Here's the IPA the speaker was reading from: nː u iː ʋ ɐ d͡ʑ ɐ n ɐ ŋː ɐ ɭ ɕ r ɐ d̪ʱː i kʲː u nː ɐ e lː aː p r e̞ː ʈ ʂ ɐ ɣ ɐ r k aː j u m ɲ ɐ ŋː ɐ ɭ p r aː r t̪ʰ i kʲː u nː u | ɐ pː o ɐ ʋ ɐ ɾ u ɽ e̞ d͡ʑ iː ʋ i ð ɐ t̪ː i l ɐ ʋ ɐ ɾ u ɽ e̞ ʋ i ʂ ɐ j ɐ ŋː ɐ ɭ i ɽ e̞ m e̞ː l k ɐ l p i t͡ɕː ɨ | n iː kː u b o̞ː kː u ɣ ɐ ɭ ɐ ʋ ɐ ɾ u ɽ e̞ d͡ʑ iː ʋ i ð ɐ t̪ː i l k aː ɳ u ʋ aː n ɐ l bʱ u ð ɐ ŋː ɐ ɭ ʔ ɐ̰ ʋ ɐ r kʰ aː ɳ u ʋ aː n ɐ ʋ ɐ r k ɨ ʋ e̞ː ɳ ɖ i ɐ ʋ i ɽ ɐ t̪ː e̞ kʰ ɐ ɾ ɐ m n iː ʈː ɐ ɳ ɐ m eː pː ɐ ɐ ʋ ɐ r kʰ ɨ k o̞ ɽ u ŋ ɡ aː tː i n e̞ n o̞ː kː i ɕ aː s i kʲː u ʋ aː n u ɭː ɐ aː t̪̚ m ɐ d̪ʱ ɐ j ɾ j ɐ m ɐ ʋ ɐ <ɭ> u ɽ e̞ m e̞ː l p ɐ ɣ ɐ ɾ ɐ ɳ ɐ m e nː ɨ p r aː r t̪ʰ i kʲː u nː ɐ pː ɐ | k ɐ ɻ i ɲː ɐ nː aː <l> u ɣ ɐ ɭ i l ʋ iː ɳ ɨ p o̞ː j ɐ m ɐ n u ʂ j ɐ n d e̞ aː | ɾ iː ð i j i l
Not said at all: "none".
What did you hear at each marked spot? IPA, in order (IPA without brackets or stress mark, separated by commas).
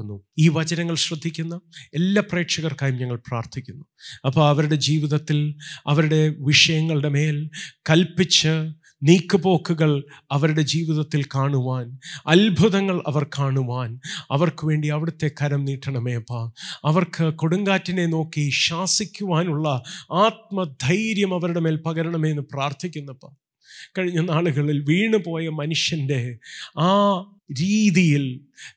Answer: ɾ, ɭ